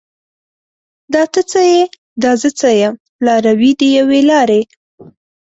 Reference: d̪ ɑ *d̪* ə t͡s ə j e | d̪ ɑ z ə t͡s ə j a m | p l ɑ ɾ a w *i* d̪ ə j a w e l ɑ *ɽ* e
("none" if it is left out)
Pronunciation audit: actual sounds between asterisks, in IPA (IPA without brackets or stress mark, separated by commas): t̪, i, ɾ